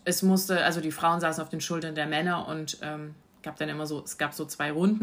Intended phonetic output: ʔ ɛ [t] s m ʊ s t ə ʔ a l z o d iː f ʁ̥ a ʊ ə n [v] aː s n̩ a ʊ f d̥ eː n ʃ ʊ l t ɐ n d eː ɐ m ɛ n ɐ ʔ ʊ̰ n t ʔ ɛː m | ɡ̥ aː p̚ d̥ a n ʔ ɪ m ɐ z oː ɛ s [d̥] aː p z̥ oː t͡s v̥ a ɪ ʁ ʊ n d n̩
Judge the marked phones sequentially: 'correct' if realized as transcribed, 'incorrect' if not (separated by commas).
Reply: incorrect, incorrect, incorrect